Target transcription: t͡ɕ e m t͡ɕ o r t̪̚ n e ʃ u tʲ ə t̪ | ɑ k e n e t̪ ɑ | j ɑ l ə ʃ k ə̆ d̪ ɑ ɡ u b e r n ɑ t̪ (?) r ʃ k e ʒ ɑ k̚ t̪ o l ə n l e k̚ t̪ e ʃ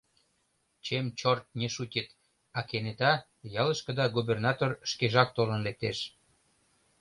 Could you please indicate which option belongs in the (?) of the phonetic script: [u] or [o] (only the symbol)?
o